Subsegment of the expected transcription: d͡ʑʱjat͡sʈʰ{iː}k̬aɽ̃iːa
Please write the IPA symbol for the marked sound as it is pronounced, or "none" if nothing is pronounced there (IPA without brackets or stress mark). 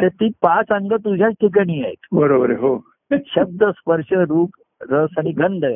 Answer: i